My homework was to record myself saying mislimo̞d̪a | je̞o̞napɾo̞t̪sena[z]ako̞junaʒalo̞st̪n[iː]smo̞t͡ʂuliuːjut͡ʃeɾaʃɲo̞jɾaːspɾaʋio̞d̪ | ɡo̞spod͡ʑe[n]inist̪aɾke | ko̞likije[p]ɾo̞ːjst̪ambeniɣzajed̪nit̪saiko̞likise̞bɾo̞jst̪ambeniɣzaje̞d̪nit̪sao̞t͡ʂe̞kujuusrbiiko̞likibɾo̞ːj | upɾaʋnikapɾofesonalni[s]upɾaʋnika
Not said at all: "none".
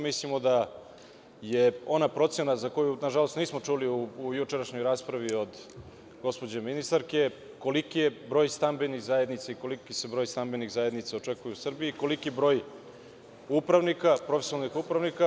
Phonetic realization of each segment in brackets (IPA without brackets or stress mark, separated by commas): z, iː, m, b, x